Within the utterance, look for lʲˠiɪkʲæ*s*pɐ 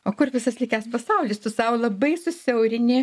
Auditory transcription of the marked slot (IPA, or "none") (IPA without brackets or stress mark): s